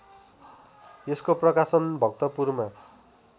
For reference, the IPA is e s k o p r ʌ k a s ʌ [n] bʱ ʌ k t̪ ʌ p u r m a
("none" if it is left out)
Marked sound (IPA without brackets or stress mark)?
n